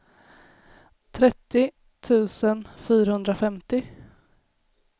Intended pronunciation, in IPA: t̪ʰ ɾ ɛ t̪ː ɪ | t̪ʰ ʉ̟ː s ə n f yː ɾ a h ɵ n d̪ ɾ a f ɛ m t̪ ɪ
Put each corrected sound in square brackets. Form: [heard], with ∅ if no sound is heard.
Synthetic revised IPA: t̪ʰ ɾ ɛ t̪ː ɪ | t̪ʰ ʉ̟ː s ə n f yː ɾ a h ɵ n d̪ ɾ a f ɛ m t̪ ɪ